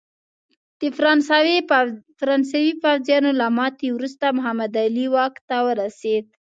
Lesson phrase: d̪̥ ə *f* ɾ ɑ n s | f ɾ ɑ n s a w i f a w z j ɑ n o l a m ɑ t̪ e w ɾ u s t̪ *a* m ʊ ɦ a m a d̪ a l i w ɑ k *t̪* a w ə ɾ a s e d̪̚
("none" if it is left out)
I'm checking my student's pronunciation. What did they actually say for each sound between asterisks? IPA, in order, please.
f, a, t̪

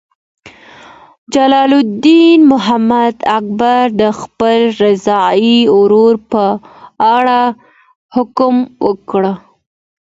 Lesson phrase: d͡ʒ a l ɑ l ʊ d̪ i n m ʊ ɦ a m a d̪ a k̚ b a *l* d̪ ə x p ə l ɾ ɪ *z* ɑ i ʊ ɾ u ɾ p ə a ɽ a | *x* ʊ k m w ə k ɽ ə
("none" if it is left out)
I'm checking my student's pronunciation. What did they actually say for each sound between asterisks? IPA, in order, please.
ɾ, z, h

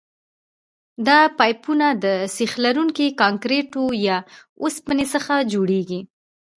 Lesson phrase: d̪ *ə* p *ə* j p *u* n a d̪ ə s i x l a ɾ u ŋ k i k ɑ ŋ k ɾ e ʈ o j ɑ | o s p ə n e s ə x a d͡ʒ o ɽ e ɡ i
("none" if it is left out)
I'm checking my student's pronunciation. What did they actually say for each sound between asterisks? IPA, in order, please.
ɑ, ɑ, u

